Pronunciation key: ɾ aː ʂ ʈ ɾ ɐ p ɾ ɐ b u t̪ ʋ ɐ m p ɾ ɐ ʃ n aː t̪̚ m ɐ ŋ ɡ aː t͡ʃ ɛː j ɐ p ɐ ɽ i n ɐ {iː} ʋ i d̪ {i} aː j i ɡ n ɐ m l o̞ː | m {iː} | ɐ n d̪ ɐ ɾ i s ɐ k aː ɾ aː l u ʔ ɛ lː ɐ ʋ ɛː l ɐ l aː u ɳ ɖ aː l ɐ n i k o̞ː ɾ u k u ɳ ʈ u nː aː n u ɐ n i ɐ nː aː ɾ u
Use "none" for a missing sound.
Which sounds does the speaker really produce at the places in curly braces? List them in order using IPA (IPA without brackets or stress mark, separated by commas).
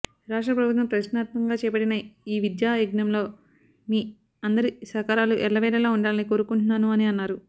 iː, j, iː